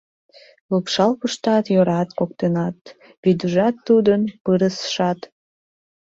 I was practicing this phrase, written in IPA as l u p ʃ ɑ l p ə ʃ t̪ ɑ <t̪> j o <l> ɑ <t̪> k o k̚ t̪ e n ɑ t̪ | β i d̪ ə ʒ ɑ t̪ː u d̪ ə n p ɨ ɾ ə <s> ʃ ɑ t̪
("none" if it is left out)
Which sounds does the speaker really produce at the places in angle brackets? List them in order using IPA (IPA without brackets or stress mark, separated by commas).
t̪, ɾ, t̪, s